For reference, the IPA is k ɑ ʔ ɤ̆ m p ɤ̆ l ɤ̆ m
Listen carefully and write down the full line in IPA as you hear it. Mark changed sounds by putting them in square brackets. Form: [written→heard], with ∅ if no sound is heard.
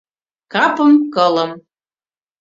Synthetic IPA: k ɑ [ʔ→p] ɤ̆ m [p→k] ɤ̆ l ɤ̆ m